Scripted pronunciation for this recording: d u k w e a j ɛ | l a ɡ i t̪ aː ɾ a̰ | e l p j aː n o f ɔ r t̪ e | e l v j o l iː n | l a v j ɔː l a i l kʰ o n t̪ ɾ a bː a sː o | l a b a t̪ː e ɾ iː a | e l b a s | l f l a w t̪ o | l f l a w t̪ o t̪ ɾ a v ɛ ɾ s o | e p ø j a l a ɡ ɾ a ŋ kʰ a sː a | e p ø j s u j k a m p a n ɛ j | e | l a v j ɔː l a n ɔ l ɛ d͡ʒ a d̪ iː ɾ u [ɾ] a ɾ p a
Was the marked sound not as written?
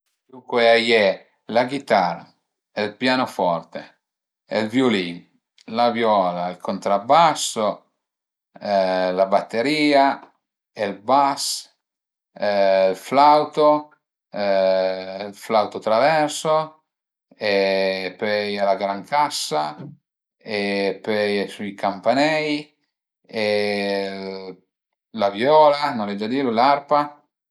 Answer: yes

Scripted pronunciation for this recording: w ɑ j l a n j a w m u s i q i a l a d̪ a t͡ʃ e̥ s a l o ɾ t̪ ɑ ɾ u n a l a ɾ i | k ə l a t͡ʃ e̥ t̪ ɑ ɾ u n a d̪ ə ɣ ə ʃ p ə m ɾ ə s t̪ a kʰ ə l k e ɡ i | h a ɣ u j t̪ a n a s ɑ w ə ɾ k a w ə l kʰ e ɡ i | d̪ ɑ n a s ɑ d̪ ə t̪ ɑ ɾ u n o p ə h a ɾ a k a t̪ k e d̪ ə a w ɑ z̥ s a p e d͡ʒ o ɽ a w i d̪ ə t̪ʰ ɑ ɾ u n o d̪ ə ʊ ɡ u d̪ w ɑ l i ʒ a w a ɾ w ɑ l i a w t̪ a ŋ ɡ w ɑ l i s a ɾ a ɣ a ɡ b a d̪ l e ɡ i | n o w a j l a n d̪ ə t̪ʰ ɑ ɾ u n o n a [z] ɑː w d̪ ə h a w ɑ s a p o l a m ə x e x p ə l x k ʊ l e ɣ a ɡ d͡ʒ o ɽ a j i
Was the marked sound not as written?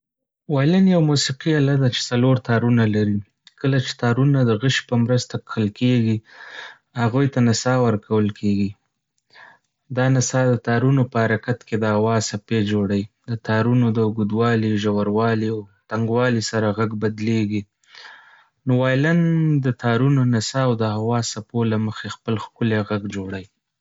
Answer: yes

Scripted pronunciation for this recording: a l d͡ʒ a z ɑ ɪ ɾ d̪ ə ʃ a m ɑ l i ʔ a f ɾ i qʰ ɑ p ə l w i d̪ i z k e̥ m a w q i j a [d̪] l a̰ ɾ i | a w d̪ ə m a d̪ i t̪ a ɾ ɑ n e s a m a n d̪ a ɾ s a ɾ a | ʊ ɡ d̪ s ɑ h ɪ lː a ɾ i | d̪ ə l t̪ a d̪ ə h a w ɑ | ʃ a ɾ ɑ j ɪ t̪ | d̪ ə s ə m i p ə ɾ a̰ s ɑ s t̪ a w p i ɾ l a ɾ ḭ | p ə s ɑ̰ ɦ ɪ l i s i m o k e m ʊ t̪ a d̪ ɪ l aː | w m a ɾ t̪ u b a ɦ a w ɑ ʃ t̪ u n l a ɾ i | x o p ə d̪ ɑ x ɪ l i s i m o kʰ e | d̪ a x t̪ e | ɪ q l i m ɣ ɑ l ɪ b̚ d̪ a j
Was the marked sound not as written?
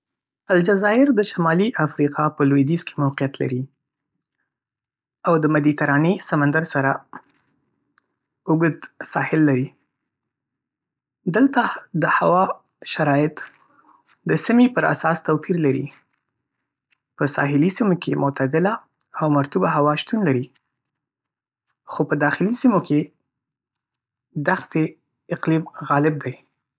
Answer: yes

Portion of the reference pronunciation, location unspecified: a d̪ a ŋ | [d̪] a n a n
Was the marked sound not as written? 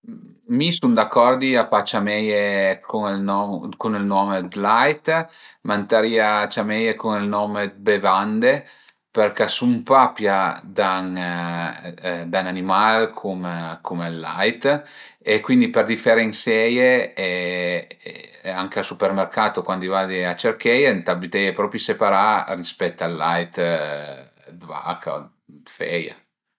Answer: no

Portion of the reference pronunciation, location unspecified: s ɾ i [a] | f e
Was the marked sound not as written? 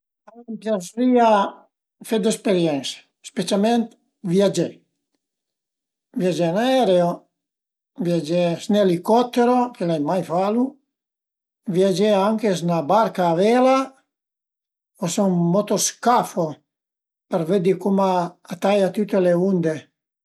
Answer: no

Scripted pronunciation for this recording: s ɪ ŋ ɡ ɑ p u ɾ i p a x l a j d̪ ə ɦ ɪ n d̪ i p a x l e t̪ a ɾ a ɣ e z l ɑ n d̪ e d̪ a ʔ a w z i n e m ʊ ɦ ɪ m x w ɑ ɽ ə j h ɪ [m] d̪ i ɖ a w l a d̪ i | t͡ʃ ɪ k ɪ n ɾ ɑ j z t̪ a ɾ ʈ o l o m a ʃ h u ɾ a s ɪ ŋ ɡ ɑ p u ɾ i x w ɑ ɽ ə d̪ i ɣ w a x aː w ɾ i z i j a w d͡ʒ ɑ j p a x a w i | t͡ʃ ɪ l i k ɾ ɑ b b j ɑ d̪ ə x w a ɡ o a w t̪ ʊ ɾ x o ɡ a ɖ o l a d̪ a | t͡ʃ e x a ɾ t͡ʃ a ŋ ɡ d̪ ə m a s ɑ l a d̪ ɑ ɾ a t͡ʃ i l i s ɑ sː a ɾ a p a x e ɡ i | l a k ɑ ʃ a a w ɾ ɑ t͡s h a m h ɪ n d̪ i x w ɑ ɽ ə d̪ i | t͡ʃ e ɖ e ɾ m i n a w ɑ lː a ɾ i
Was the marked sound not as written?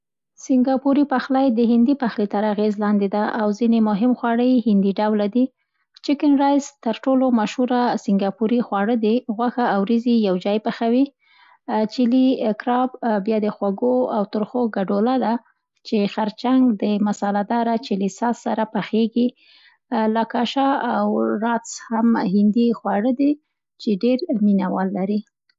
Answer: yes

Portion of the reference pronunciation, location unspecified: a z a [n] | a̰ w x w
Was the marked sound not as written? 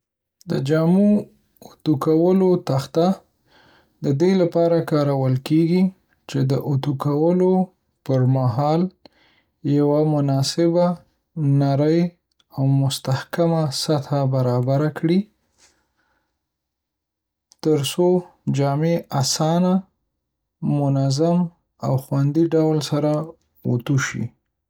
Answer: yes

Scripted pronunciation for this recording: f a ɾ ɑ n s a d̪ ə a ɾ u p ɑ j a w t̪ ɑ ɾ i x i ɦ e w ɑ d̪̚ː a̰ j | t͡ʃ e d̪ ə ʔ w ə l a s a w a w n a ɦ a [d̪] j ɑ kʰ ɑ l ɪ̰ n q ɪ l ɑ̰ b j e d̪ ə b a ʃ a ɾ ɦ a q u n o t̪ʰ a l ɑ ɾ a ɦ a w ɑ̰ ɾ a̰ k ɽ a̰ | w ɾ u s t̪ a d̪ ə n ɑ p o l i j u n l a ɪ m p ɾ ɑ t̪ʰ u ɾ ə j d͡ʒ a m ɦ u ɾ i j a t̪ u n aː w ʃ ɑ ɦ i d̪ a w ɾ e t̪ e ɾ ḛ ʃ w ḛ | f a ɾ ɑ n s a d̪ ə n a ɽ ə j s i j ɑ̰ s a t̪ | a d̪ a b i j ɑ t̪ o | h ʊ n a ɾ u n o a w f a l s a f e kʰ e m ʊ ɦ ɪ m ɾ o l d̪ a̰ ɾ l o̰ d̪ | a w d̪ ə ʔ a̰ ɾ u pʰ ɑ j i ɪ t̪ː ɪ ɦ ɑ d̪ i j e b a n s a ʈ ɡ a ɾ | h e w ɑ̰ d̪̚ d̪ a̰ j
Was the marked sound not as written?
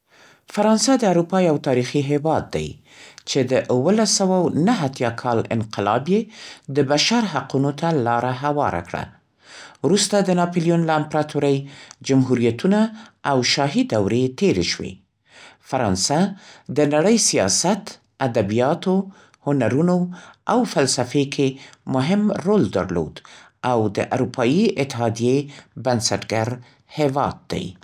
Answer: yes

